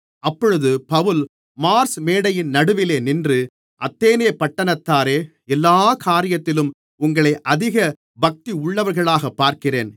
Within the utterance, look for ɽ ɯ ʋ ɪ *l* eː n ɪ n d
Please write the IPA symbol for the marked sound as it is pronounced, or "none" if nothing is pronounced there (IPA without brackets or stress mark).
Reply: l